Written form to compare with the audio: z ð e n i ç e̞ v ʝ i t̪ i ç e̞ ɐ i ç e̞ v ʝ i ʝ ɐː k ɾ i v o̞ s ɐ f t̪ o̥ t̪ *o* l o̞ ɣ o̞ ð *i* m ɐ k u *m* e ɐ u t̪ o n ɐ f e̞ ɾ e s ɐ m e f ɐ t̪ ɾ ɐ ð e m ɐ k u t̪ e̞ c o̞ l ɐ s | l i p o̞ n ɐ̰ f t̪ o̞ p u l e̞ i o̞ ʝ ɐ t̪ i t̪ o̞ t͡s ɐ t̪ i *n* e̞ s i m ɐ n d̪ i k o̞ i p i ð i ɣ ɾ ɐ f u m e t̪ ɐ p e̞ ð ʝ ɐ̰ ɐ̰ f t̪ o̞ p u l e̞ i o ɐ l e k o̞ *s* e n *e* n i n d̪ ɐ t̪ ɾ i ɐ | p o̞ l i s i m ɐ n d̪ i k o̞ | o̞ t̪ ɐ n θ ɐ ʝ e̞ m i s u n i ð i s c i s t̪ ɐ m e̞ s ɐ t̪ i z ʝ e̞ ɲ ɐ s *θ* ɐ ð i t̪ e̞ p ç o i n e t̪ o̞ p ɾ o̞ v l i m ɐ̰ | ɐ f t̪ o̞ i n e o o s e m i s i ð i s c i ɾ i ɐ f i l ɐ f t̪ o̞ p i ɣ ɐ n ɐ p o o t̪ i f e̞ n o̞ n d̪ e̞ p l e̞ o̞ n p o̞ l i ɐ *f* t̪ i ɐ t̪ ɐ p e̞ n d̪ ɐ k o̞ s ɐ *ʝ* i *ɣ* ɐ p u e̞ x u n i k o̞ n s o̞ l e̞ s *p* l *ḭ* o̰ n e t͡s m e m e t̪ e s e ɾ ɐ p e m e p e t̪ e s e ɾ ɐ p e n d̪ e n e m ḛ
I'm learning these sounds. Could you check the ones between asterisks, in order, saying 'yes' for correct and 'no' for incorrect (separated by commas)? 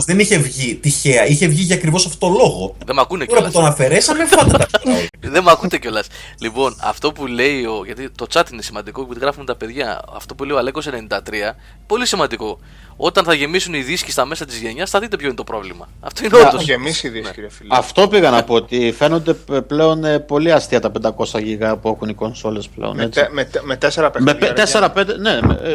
yes, no, no, yes, yes, yes, yes, no, yes, yes, yes, no